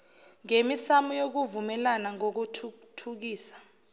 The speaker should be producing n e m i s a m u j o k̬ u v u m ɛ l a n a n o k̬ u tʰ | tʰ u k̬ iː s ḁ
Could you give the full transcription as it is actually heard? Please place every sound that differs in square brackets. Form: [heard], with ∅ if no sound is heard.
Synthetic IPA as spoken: [ŋ] e m i s a m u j o k̬ u v u m ɛ l a n a [ŋ] o k̬ u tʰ | tʰ u k̬ iː s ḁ